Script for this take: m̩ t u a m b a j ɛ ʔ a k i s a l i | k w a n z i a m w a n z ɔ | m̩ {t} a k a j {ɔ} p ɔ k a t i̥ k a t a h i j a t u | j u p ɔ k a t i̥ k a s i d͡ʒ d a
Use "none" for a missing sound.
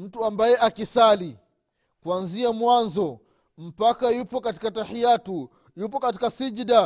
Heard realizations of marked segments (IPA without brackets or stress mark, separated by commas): p, u